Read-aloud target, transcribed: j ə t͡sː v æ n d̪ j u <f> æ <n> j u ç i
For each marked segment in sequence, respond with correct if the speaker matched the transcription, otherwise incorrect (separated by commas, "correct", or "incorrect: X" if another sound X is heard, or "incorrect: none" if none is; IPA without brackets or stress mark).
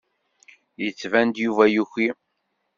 incorrect: v, incorrect: none